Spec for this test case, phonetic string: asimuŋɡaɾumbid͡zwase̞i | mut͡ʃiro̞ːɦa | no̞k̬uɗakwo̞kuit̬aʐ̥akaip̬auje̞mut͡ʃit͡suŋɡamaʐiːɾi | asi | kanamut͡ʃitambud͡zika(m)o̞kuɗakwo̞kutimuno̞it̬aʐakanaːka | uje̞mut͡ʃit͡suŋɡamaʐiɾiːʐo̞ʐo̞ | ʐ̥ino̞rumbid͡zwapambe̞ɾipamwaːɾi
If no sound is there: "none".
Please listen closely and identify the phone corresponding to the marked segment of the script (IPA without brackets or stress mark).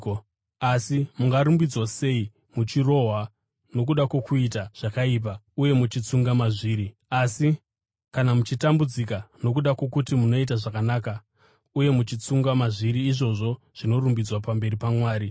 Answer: n